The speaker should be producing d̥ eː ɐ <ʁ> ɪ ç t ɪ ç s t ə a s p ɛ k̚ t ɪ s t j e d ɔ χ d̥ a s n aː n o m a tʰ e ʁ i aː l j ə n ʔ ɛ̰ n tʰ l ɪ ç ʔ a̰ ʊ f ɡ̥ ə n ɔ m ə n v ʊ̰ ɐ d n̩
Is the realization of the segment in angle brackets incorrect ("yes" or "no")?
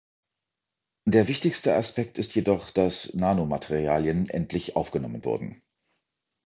yes